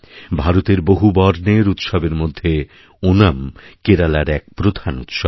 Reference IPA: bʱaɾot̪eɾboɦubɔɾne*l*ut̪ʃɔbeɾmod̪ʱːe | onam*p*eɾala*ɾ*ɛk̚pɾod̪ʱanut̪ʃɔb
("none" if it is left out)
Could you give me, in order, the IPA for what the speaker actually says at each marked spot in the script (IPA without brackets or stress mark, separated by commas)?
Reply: ɾ, k, ɾ